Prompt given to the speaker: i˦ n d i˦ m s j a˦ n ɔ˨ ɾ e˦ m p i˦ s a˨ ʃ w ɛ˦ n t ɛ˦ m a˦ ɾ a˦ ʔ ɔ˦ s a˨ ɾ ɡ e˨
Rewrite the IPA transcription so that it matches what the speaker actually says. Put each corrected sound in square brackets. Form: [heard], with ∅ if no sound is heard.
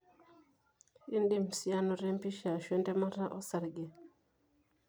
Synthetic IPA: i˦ n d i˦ m s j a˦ n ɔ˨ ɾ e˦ m p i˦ [ʃ] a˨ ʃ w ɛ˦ n t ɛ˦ m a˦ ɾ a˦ ʔ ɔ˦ s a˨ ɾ ɡ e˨